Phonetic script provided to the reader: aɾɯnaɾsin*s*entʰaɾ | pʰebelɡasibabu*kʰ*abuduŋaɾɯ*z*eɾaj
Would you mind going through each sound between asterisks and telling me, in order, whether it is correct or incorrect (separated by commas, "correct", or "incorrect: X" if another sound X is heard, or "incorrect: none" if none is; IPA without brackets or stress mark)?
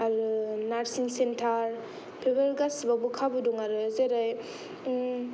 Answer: correct, correct, correct